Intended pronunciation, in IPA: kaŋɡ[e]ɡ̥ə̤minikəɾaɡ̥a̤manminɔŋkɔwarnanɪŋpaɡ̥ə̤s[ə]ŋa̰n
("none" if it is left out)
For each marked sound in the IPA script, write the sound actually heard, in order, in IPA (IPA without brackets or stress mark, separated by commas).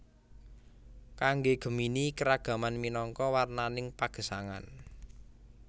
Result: e, a